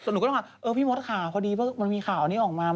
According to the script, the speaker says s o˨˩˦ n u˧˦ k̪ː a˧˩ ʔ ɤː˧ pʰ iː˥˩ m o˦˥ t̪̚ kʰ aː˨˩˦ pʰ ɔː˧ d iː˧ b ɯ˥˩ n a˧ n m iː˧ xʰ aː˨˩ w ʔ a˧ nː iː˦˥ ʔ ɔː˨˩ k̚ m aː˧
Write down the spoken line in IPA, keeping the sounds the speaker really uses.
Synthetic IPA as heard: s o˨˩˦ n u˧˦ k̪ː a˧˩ ʔ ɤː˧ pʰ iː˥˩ m o˦˥ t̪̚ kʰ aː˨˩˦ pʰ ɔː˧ d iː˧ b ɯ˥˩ m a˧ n m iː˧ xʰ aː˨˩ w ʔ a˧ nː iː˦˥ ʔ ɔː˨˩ k̚ m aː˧